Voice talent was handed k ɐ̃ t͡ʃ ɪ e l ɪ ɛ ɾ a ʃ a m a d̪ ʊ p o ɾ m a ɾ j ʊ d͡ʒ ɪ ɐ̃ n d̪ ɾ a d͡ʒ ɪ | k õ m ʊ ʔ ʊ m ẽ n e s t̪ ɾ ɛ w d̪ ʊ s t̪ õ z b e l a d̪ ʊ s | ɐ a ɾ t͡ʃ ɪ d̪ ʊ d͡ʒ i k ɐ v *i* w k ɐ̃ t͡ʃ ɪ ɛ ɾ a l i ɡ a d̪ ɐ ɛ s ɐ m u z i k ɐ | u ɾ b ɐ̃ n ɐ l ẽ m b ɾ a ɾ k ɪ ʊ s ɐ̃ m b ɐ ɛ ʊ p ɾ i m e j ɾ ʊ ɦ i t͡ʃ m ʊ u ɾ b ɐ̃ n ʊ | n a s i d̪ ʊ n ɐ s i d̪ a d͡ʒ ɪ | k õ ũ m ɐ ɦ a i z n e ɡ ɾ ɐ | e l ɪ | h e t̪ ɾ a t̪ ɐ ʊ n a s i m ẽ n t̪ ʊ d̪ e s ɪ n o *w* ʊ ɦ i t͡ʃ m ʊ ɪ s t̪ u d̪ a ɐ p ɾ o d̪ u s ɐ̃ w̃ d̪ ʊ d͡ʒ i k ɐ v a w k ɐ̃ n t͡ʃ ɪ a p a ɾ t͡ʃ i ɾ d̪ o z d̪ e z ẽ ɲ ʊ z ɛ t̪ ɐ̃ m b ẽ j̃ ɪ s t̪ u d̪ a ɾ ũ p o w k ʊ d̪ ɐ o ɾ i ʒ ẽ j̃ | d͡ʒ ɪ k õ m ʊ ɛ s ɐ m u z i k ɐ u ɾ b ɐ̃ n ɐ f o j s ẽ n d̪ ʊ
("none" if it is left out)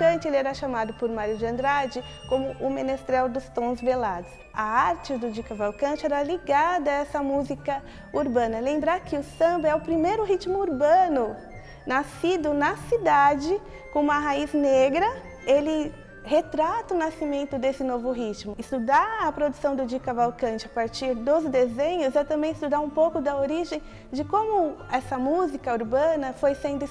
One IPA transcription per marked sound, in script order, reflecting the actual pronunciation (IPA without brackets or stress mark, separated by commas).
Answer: a, v